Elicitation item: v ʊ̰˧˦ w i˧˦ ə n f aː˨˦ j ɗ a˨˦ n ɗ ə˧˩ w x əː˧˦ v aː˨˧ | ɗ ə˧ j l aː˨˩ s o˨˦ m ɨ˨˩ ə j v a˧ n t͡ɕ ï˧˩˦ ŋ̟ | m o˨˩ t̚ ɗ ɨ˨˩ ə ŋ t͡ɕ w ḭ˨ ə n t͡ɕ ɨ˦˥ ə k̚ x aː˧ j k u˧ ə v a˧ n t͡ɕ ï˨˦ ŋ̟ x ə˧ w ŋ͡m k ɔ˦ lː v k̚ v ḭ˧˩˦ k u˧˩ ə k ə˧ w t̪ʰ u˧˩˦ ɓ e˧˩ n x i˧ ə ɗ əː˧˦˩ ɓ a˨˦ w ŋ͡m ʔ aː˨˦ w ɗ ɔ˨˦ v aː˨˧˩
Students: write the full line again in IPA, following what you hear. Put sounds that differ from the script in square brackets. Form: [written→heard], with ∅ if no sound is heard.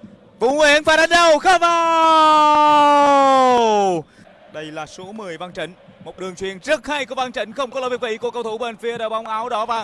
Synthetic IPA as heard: v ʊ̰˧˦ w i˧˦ ə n f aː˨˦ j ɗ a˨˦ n ɗ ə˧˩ w x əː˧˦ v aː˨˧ | ɗ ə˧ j l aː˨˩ s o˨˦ m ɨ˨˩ ə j v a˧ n t͡ɕ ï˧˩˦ ŋ̟ | m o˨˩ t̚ ɗ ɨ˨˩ ə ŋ t͡ɕ w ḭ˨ ə n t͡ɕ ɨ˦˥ ə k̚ [x→h] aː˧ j k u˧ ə v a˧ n t͡ɕ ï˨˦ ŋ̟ x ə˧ w ŋ͡m k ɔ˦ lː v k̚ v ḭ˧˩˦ k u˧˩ ə k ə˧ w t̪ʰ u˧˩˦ ɓ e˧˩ n [x→f] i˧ ə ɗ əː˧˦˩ ɓ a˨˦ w ŋ͡m ʔ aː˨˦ w ɗ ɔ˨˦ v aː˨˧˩